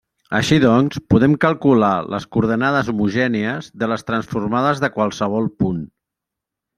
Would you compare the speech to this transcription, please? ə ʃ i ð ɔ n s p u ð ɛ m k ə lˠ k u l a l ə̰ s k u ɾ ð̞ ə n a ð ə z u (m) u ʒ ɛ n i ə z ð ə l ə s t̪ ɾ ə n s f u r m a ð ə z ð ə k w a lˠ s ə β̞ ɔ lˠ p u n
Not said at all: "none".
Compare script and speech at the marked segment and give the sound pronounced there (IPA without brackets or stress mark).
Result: m